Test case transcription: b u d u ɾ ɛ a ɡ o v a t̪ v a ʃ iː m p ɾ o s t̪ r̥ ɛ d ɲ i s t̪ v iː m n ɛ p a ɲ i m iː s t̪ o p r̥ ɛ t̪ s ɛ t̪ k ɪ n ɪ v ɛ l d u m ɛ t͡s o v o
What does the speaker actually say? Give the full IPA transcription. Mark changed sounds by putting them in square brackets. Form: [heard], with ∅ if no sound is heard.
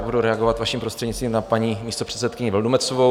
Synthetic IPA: b u d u ɾ ɛ a ɡ o v a t̪ v a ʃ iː m p ɾ o s t̪ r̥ ɛ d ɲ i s t̪ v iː m n [a] p a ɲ i m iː s t̪ o p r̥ ɛ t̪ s ɛ t̪ k ɪ [ɲ] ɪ v ɛ l d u m ɛ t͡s o v o